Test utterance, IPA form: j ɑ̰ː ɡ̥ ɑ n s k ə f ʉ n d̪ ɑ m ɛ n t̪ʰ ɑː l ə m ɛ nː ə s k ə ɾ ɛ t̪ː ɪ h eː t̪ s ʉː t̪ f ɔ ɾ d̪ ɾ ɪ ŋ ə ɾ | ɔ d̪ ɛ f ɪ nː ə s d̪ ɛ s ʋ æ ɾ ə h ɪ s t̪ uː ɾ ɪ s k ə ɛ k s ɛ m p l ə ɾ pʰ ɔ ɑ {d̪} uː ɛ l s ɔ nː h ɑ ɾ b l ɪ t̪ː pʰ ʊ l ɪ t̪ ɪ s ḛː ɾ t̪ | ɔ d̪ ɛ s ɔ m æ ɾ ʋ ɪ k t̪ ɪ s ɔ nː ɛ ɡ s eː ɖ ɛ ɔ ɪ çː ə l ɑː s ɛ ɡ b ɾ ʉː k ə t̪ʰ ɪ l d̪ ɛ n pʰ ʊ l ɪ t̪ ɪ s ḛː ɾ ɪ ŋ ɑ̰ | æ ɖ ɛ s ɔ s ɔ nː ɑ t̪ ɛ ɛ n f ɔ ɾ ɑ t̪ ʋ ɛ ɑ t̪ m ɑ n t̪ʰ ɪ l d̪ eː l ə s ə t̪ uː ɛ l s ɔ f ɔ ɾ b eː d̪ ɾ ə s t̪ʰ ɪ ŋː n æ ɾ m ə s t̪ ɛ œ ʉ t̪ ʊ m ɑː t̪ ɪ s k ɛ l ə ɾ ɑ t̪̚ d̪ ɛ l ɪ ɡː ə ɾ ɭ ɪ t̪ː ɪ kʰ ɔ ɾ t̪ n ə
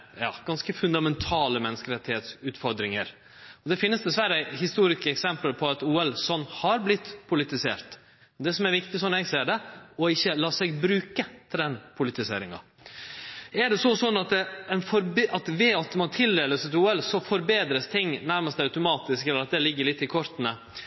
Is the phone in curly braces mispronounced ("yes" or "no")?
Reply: yes